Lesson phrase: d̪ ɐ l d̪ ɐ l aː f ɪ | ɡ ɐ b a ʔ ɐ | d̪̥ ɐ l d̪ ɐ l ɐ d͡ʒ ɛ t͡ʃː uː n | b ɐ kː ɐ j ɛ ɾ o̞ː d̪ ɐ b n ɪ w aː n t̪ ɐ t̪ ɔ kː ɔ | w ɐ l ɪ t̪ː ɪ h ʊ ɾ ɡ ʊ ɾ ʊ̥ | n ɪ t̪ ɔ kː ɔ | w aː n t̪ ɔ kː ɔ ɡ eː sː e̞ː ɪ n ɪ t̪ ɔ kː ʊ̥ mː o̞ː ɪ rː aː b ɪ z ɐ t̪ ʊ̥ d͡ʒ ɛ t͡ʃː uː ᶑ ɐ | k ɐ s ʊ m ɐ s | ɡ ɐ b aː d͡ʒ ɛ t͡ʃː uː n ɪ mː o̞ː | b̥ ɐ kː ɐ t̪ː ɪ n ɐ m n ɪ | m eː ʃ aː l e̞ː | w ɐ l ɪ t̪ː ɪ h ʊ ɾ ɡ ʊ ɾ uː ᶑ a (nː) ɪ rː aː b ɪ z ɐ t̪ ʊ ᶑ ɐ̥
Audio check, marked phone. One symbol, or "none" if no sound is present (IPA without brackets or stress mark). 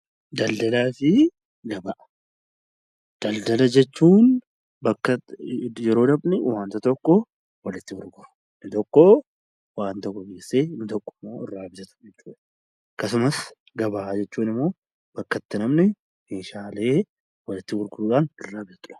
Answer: n